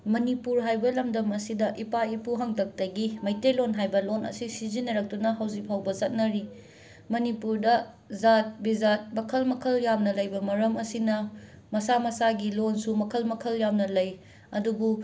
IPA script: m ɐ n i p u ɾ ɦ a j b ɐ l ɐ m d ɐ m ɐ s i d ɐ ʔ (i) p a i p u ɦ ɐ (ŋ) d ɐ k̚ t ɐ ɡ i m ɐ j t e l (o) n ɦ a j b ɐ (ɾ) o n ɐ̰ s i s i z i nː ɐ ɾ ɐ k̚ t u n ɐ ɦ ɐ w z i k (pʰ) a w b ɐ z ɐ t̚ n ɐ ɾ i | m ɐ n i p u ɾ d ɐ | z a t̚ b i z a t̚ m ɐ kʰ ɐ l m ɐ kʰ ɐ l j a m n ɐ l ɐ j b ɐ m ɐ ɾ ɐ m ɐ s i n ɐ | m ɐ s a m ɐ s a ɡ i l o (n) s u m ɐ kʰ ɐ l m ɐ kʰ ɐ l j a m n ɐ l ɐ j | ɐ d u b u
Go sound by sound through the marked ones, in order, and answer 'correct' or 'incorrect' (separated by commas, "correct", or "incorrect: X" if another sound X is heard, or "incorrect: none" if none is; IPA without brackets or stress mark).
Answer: correct, correct, correct, incorrect: l, correct, correct